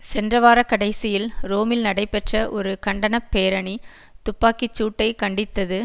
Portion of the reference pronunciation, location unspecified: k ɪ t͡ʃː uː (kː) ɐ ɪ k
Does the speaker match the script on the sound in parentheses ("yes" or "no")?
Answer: no